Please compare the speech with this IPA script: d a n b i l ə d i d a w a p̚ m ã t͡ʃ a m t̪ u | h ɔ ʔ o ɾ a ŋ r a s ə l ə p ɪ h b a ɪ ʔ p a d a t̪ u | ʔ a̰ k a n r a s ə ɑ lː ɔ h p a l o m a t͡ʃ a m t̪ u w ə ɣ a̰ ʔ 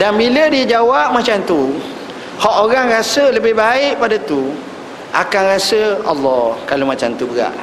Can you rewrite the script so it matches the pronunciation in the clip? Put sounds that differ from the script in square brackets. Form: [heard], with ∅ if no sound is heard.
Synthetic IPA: d a n b i l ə d i [d͡ʒ] a w a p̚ m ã t͡ʃ a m t̪ u | h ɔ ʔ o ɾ a ŋ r a s ə l ə [b] ɪ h b a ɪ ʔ p a d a t̪ u | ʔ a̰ k a n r a s ə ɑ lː ɔ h [k] a l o m a t͡ʃ a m t̪ u [b] ə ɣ a̰ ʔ